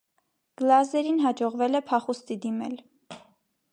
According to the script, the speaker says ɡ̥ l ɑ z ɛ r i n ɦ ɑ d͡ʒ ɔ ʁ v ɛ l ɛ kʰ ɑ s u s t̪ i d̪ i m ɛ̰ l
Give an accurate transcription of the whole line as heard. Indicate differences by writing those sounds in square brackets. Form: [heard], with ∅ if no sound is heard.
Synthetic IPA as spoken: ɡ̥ l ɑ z ɛ [ɾ] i n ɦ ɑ d͡ʒ ɔ ʁ v ɛ l ɛ [pʰ] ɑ [χ] u s t̪ i d̪ i m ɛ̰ l